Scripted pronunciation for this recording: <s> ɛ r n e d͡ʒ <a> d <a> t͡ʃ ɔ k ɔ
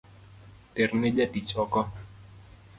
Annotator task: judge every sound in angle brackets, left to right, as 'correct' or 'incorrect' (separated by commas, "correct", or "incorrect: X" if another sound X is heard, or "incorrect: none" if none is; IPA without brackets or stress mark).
incorrect: t, correct, incorrect: i